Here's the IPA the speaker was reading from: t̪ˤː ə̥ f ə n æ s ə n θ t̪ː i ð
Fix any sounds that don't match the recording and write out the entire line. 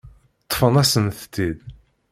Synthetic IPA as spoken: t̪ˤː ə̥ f ə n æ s ə n θ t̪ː i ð